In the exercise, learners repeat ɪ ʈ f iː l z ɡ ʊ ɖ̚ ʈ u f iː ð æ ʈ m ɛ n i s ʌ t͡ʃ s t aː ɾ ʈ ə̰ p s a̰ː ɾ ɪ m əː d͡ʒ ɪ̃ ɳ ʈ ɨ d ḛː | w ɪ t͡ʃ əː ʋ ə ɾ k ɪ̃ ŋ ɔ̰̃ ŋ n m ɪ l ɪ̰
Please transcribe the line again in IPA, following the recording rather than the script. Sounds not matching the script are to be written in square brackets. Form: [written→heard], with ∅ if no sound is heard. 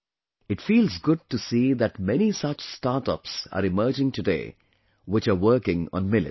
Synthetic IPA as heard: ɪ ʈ f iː l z ɡ ʊ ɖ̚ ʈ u [f→s] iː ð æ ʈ m ɛ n i s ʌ t͡ʃ s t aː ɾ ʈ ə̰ p s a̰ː ɾ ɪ m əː d͡ʒ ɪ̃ [ɳ→ŋ] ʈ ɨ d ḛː | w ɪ t͡ʃ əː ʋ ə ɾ k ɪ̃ ŋ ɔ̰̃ [ŋ→∅] n m ɪ l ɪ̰